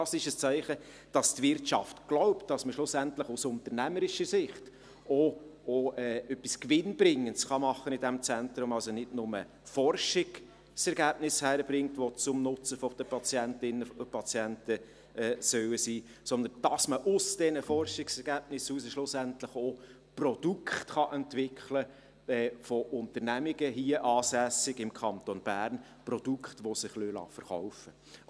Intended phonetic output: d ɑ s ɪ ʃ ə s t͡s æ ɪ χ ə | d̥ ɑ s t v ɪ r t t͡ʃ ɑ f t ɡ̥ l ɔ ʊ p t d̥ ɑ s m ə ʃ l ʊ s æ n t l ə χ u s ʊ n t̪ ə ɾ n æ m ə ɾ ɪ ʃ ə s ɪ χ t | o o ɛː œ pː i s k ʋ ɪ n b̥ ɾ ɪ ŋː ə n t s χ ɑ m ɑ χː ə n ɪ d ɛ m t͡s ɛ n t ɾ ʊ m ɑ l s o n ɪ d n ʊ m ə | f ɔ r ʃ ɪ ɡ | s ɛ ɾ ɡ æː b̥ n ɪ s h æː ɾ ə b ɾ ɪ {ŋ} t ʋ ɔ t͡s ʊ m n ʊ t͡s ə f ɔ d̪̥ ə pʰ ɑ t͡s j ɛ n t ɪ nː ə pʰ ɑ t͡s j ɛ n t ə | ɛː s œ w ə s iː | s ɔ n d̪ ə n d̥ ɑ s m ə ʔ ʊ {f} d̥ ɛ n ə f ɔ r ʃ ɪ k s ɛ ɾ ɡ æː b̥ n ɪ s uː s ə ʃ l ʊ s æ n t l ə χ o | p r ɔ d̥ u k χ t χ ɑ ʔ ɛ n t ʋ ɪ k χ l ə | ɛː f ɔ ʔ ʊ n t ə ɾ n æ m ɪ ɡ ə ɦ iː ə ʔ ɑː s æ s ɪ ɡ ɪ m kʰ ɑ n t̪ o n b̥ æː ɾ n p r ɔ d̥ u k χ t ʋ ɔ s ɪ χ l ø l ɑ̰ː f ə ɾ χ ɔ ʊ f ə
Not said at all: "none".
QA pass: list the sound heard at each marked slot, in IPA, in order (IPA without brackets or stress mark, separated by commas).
ŋ, s